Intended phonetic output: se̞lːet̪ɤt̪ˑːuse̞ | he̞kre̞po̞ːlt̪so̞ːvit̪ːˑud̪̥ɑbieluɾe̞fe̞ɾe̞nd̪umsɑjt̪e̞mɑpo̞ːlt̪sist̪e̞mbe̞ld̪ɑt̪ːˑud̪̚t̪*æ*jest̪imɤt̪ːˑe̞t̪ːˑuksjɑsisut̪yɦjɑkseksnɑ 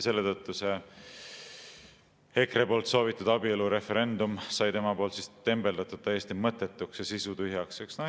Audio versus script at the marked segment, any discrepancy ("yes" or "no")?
no